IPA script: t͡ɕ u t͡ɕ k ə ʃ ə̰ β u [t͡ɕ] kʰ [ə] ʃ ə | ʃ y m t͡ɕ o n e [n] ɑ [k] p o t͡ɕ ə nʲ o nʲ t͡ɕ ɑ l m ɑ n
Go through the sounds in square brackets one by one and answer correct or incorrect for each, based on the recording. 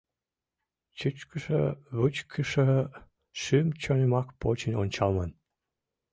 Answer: correct, correct, incorrect: m, correct

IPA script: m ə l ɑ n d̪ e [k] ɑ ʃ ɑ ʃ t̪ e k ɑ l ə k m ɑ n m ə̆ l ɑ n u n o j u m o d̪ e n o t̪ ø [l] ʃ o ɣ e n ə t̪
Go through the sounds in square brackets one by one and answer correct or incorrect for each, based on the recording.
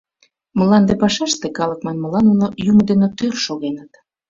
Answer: incorrect: p, incorrect: r

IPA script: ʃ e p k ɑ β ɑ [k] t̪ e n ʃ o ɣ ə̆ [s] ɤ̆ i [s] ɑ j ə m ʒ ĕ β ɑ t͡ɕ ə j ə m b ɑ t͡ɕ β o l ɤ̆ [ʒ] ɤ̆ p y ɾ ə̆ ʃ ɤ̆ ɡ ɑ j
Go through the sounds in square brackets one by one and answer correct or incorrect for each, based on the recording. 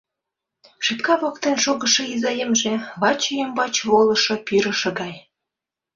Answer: correct, incorrect: ʃ, incorrect: z, incorrect: ʃ

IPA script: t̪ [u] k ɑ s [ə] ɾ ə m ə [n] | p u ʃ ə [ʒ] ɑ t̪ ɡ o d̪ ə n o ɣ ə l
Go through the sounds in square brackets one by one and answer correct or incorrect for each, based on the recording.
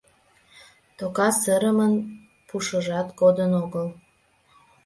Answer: incorrect: o, correct, correct, correct

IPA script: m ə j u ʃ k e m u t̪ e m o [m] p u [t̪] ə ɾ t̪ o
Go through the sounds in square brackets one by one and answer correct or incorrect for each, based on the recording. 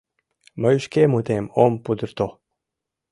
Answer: correct, incorrect: d̪

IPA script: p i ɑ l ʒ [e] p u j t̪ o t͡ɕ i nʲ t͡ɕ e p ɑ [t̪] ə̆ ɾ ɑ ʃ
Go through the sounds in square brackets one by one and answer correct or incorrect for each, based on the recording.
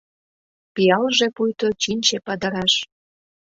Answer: correct, incorrect: d̪

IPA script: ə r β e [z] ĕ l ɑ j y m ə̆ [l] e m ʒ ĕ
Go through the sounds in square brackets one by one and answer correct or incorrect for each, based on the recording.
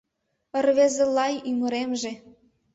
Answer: correct, incorrect: ɾ

